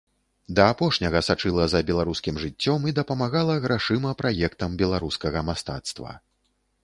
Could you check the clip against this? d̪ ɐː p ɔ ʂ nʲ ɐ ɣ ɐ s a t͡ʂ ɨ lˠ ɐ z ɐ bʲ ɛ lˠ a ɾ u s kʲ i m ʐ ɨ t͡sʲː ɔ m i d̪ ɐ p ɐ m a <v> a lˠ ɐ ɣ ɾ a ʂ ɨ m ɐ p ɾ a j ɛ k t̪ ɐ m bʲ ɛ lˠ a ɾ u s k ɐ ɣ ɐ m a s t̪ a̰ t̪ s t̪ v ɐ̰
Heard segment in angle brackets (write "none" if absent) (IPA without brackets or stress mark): ɣ